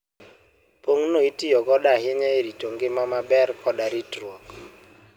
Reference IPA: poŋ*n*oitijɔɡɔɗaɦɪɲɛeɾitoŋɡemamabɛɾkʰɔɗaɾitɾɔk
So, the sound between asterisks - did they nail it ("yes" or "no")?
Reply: yes